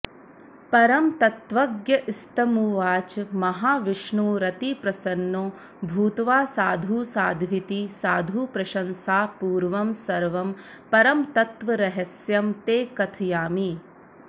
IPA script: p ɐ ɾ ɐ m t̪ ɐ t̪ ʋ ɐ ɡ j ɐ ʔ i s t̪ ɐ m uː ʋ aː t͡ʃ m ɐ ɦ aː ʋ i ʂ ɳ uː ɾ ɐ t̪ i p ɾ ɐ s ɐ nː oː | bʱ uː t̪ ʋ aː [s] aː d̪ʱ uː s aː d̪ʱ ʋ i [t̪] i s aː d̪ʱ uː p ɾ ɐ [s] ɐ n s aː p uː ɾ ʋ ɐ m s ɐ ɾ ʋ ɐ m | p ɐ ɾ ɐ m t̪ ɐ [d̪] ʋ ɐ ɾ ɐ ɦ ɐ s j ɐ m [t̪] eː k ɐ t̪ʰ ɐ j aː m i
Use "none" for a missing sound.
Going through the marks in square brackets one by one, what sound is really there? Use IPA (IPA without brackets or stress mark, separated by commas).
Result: s, t̪, ʃ, t̪, t̪